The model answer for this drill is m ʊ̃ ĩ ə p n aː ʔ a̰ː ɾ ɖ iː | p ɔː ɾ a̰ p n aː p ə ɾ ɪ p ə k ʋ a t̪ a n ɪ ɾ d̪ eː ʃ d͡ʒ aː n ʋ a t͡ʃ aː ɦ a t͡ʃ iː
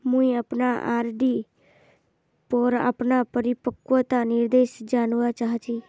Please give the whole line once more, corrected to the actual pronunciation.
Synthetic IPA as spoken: m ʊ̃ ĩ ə p n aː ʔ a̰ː ɾ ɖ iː | p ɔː ɾ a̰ p n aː p ə ɾ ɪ p ə k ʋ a t̪ a n ɪ ɾ d̪ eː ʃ d͡ʒ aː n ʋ a t͡ʃ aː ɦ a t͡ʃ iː